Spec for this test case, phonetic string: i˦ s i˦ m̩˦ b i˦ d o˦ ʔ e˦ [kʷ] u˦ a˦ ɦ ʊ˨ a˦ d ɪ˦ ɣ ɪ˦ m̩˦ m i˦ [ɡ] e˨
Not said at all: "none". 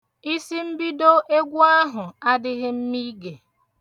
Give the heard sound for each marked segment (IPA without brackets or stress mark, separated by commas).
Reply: ɡʷ, ɡ